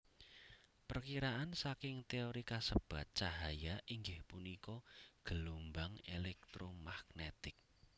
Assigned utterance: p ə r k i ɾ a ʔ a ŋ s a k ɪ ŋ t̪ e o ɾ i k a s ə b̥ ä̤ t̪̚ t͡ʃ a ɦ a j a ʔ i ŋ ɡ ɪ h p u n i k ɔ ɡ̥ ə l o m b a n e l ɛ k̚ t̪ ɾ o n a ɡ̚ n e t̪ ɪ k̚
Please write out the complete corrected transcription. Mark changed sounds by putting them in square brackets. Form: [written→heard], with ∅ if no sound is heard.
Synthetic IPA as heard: p ə r k i ɾ a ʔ a [ŋ→n] s a k ɪ ŋ t̪ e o ɾ i k a s ə b̥ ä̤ t̪̚ t͡ʃ a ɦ a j a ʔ i ŋ ɡ ɪ h p u n i k ɔ ɡ̥ ə l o m b a [n→ŋ] e l ɛ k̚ t̪ ɾ o [n→m] a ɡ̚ n e t̪ ɪ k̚